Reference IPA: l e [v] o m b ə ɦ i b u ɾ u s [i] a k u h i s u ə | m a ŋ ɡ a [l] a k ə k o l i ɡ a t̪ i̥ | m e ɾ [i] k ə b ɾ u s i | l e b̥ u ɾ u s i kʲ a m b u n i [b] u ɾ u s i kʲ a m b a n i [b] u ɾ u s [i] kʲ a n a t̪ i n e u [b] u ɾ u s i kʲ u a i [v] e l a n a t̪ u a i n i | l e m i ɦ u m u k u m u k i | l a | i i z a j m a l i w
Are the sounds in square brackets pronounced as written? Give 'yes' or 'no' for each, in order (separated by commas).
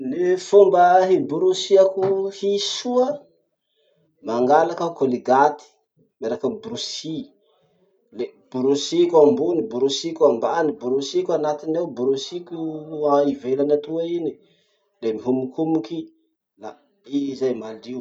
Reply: no, yes, yes, no, yes, yes, yes, yes, yes